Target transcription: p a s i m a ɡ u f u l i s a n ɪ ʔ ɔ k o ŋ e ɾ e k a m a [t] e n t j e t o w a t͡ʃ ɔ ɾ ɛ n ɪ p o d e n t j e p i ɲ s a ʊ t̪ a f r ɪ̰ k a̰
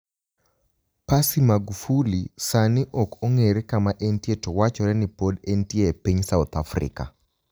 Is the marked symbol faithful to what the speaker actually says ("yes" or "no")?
no